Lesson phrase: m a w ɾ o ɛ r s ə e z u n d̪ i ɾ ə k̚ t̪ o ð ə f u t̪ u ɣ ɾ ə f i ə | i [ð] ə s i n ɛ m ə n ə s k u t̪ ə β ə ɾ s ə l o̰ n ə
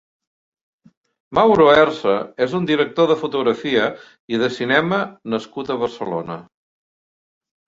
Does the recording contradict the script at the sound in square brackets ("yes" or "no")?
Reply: no